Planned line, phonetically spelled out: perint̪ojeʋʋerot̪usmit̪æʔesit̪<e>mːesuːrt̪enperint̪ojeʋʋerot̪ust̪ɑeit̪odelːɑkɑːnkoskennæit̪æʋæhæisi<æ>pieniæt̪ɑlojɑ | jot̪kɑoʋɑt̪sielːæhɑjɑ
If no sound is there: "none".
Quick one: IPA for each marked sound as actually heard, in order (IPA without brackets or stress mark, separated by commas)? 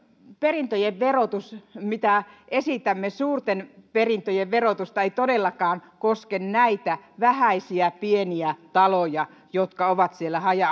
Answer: æ, æ